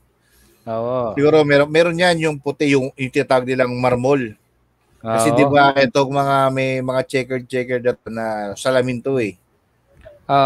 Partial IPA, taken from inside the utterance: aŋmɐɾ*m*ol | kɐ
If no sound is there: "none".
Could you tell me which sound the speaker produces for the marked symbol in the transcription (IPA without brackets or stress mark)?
m